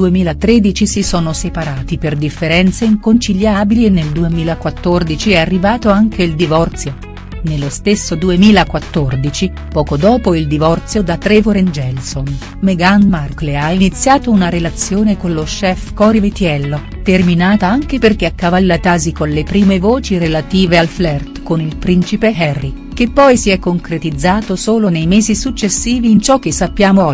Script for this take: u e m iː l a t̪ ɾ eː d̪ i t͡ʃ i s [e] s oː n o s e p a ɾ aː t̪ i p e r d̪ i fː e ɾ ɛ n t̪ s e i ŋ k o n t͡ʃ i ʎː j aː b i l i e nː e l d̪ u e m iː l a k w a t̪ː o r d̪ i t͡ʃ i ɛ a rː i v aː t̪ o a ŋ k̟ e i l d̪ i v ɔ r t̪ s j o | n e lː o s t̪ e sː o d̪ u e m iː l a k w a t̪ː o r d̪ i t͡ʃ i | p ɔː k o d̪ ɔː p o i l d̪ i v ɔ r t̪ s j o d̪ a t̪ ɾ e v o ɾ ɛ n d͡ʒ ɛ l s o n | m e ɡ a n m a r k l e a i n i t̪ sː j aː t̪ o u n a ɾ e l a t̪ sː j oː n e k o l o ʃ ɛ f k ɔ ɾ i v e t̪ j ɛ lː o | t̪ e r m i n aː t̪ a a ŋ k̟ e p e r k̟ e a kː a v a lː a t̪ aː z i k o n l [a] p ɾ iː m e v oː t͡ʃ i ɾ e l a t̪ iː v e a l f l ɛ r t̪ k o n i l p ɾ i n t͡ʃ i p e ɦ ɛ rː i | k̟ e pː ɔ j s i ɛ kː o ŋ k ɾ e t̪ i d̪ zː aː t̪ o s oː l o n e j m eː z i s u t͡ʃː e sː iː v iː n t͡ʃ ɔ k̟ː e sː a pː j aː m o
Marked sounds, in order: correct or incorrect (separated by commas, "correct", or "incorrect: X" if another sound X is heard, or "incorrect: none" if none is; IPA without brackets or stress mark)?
incorrect: i, incorrect: e